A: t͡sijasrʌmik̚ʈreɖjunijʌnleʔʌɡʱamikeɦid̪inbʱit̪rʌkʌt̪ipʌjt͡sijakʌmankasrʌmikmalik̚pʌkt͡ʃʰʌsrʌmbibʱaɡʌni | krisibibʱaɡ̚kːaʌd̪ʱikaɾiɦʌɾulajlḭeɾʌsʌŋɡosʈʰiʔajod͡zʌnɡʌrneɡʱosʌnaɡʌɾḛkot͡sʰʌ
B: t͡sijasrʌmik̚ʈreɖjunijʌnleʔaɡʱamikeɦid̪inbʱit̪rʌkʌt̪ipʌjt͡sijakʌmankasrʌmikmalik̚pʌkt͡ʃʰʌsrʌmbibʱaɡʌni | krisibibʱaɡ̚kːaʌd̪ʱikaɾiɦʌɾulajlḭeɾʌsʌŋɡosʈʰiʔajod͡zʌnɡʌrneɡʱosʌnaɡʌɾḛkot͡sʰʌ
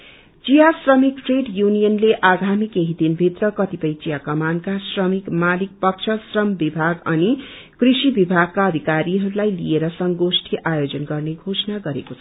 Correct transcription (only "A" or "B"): B